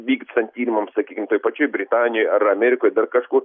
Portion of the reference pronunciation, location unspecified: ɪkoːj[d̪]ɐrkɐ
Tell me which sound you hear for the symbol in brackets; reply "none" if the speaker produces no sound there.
d̪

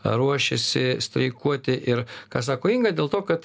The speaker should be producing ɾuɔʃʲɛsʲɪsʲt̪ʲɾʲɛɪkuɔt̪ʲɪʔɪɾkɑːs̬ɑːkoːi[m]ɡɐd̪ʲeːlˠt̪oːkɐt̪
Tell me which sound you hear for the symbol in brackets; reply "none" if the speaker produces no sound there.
ŋ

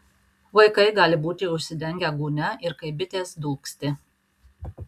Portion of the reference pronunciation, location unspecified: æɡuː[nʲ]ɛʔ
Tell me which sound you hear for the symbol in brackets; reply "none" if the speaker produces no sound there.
nʲ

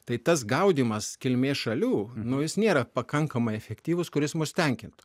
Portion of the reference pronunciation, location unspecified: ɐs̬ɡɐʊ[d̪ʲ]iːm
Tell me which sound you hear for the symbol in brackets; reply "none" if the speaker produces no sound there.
d̪ʲ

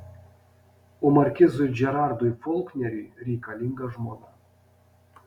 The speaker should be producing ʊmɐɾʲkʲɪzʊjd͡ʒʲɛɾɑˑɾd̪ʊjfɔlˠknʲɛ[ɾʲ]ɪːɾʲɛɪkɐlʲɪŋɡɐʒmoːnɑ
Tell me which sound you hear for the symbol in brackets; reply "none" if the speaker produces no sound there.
ɾʲ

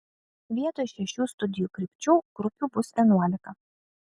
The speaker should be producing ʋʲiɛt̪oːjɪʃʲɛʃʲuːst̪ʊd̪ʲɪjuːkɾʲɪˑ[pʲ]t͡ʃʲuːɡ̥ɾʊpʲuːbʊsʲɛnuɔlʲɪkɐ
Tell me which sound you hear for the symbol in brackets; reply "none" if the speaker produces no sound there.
pʲ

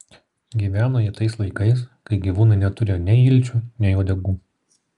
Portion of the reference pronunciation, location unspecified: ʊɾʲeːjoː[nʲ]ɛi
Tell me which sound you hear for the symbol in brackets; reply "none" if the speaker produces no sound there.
nʲ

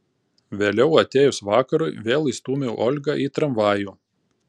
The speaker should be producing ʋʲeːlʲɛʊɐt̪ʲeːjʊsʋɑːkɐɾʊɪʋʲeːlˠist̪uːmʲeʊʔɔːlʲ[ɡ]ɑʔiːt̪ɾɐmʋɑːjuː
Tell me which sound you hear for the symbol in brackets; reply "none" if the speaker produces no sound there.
ɡ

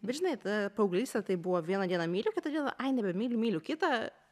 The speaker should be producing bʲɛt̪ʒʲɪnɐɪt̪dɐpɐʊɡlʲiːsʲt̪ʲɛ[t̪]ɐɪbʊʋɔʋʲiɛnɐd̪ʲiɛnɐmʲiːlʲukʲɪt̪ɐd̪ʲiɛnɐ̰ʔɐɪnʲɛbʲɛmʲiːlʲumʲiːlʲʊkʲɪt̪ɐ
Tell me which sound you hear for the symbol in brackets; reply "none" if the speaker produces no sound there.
t̪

